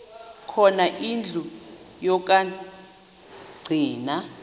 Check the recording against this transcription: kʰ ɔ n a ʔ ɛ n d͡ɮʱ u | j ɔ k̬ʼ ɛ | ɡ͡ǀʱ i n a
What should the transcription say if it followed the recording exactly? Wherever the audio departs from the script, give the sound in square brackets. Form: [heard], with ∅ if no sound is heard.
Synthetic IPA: kʰ ɔ n a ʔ [i] n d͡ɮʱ u | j ɔ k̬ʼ [a] | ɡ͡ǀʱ [iː] n a

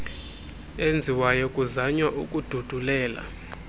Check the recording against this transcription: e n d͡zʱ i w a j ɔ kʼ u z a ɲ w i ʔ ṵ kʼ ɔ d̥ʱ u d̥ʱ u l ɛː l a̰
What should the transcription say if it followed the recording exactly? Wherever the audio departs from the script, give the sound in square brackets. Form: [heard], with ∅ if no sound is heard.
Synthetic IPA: e n d͡zʱ i w a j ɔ kʼ u z a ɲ w [a] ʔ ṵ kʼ [u] d̥ʱ u d̥ʱ u l ɛː l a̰

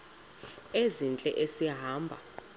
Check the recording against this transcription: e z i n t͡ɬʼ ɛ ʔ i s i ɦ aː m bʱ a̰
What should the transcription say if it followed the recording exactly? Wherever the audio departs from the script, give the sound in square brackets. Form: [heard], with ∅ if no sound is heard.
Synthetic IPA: e z i n t͡ɬʼ ɛ ʔ [e] s i ɦ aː m bʱ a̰

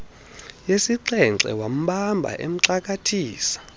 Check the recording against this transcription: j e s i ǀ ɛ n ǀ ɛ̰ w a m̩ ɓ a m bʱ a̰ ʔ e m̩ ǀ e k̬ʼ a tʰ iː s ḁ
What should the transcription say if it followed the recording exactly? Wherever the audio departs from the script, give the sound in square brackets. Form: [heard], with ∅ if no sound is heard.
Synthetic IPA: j e s i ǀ ɛ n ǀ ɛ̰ w a m̩ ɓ a m bʱ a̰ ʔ e m̩ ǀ [a] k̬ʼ a tʰ iː s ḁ

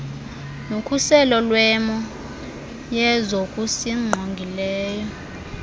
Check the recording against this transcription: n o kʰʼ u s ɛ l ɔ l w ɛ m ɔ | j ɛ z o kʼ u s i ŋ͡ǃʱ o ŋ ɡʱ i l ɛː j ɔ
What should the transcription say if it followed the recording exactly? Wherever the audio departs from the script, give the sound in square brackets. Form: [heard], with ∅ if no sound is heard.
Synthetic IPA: n o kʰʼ u s ɛ l ɔ l w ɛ m ɔ | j ɛ z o kʼ u s i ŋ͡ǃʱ o ŋ ɡʱ i l ɛː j ɔ

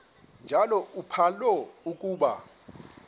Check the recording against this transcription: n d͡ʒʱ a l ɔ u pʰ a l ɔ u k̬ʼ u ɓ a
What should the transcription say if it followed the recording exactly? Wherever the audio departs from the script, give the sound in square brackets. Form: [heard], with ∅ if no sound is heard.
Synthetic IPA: n d͡ʒʱ a l ɔ u pʰ a l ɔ u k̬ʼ [uː] ɓ a

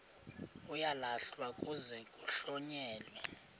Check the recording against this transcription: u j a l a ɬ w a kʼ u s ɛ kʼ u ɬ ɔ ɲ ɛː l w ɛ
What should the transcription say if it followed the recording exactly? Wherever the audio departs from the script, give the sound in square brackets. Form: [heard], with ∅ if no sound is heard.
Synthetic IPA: u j a l a ɬ w a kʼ u [z] ɛ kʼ u ɬ ɔ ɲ ɛː l w ɛ

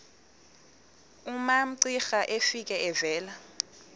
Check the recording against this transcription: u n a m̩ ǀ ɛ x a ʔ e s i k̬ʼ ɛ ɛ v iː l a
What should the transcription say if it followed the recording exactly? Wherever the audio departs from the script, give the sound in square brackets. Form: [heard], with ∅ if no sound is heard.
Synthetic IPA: u [m] a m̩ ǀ [i] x a ʔ e [f] i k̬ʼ ɛ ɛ v [ɛː] l a

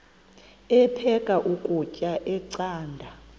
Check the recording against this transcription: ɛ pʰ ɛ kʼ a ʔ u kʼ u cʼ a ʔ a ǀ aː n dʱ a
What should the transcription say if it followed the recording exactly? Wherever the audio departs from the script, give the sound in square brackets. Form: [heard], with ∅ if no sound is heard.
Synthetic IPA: ɛ pʰ ɛ kʼ a ʔ u kʼ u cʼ a ʔ [ɛ] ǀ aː n dʱ a

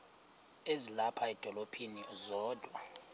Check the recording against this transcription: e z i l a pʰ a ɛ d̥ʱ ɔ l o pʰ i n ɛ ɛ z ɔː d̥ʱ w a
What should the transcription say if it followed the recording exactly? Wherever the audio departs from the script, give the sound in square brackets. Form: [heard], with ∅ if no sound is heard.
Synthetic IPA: e z i l a pʰ a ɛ d̥ʱ ɔ l o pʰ i n [i] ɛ z ɔː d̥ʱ w a

